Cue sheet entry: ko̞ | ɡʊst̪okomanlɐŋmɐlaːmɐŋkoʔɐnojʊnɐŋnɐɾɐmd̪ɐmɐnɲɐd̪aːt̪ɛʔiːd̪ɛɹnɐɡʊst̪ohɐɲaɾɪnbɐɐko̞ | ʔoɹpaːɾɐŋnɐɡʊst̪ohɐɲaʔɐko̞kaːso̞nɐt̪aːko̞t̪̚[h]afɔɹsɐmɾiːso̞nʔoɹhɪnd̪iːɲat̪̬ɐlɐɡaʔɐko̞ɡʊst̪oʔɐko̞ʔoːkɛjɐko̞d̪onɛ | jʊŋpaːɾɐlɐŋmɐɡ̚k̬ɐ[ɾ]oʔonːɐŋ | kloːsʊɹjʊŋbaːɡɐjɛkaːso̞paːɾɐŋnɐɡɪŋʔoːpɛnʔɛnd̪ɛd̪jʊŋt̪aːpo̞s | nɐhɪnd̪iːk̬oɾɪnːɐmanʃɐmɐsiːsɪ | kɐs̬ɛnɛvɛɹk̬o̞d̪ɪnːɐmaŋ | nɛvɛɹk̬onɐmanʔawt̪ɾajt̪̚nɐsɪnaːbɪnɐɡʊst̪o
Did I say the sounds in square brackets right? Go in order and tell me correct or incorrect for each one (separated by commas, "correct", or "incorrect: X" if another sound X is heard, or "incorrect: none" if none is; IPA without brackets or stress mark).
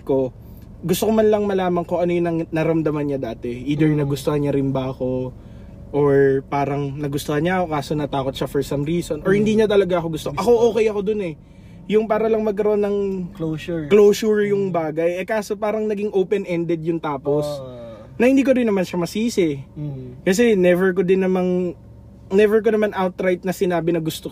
incorrect: ʃ, correct